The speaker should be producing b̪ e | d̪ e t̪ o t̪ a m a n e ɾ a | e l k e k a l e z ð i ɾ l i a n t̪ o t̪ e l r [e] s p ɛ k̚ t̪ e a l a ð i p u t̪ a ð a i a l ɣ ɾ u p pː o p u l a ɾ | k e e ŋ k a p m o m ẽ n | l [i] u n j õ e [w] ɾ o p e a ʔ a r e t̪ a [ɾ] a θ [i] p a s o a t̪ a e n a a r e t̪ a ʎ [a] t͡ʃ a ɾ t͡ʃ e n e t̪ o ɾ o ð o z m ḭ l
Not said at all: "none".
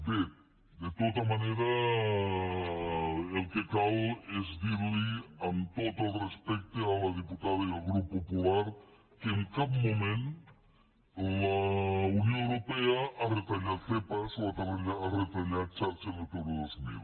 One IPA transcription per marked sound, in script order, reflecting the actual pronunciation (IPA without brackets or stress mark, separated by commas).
e, a, w, ʎ, e, a